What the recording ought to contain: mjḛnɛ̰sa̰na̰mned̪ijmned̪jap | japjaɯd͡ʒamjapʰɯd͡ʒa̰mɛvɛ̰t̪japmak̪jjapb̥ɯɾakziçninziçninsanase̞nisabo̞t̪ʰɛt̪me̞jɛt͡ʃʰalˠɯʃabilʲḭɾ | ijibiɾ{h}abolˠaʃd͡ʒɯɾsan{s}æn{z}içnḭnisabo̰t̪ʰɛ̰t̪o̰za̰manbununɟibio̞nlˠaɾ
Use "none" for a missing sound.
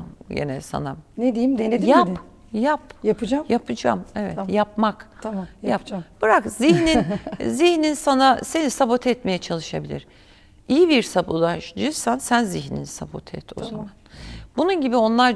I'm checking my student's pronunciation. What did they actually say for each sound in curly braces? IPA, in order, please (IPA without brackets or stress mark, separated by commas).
s, s, z